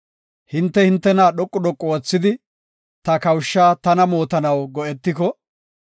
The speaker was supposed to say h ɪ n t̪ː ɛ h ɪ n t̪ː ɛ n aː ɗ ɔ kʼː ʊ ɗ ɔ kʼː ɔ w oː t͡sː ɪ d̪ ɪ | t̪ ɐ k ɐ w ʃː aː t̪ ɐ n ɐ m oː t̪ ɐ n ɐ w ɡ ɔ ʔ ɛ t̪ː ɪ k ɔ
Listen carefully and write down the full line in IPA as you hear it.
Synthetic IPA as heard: h ɪ n t̪ː ɛ h ɪ n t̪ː ɛ n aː ɗ ɔ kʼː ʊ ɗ ɔ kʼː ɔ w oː t͡sː ɪ d̪ ɪ | t̪ ɐ k ɐ w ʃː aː t̪ ɐ n ɐ m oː t̪ ɐ n ɐ w ɡ ɔ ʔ ɛ t̪ː ɪ k ɔ